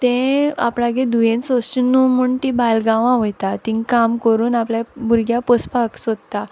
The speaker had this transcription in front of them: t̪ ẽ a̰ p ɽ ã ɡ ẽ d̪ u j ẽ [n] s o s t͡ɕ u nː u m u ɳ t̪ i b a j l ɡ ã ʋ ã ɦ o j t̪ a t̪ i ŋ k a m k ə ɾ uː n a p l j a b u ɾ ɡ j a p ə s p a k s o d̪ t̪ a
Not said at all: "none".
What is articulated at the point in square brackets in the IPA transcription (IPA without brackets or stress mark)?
n